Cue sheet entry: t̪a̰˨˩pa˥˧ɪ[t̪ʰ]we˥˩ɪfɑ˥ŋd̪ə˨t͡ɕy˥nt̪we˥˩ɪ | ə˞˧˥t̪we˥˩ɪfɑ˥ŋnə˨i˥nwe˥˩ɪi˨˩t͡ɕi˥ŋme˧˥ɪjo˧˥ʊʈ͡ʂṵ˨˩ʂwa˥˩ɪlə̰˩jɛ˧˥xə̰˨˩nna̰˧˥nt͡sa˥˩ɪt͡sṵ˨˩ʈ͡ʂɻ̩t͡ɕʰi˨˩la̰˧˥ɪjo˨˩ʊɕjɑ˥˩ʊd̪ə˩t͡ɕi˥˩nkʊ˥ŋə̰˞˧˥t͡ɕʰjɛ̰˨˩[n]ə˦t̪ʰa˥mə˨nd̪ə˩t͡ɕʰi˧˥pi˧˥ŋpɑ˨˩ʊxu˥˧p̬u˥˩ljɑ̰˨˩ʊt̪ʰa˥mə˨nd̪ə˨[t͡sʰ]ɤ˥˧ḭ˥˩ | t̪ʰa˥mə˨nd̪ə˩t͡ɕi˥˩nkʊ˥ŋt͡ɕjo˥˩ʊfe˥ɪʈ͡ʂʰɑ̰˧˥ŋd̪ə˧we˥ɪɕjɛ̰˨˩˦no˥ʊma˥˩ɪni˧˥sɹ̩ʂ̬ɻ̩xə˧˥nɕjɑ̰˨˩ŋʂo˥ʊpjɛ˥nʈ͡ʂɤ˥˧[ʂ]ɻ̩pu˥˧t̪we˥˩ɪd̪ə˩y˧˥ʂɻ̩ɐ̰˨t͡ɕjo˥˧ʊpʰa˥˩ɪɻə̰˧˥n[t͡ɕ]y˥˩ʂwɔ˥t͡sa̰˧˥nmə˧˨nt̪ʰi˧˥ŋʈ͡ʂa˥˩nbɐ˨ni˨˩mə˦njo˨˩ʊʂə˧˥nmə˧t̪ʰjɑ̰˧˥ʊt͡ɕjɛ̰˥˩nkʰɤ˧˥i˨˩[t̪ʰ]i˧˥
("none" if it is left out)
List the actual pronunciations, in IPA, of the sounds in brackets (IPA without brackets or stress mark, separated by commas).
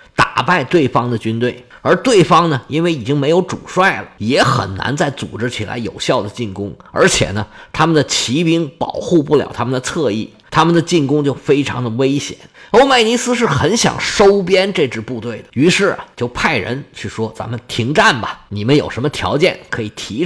t̪, n, t͡sʰ, ʈ͡ʂ, t͡ɕʰ, t̪ʰ